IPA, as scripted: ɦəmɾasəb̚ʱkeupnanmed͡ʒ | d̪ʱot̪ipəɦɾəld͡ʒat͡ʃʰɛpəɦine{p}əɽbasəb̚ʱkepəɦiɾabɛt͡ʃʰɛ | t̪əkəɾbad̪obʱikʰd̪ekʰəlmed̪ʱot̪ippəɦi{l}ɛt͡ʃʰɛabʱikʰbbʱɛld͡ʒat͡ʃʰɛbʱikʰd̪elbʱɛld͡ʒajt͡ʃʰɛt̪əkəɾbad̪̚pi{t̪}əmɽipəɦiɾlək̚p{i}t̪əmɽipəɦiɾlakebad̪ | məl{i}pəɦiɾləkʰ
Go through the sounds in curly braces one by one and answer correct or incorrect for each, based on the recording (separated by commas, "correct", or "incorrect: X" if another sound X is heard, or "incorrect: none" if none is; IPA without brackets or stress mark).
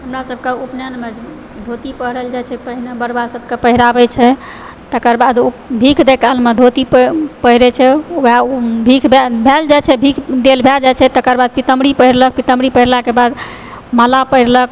incorrect: b, incorrect: ɾ, correct, correct, incorrect: a